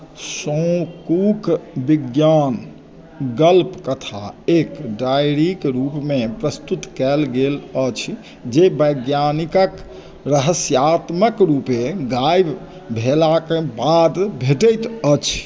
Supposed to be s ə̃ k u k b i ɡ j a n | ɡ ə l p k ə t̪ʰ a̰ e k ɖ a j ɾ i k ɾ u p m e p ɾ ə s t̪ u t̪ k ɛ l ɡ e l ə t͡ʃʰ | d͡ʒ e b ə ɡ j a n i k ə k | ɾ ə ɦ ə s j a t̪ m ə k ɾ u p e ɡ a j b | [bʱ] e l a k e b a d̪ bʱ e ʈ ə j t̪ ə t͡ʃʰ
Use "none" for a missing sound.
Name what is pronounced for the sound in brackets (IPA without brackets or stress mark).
bʱ